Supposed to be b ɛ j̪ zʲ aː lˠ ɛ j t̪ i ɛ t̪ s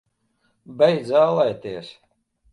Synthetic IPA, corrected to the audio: b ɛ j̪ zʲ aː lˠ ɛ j t̪ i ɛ s